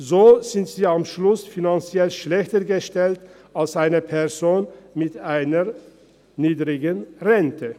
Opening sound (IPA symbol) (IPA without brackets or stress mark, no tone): z